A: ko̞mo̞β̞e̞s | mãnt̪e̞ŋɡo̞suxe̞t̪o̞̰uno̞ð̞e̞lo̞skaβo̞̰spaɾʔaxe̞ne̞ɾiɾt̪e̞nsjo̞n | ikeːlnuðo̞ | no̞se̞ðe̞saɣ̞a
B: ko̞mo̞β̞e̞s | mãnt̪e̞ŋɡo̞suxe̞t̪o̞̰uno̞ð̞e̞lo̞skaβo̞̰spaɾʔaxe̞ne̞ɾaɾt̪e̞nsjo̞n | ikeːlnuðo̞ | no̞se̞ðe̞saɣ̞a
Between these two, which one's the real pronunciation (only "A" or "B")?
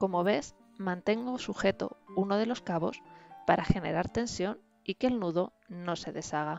B